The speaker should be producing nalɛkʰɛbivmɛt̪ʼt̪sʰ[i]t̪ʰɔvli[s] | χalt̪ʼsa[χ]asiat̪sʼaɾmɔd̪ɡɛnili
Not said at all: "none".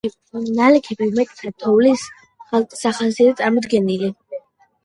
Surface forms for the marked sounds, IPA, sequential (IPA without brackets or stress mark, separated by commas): a, s, χ